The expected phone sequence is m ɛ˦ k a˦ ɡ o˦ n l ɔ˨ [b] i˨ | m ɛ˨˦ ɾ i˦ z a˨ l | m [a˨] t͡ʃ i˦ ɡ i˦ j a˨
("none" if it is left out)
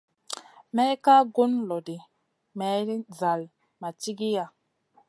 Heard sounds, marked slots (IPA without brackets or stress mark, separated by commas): d, a˨